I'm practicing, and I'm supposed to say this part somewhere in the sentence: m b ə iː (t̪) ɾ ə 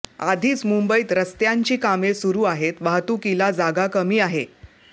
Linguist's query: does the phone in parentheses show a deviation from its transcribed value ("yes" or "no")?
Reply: no